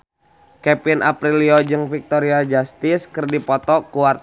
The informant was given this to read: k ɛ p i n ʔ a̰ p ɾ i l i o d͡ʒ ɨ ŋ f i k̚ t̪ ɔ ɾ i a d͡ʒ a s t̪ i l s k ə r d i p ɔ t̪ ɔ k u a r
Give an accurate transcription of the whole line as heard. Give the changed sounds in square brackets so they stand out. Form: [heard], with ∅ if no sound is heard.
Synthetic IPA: k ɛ p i n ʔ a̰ p ɾ i l i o d͡ʒ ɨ ŋ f i k̚ t̪ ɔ ɾ i a d͡ʒ a s t̪ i [∅] s k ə r d i p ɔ t̪ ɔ k u a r